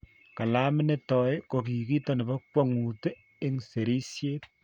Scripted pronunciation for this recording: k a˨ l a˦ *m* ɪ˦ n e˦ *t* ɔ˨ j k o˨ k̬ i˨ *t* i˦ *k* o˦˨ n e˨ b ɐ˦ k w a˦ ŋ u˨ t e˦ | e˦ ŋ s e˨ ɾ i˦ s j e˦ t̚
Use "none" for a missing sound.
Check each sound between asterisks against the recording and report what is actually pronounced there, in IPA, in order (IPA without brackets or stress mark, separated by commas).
m, t, k, t